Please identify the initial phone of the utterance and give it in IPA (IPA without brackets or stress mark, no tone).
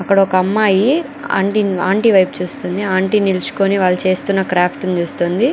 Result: ɐ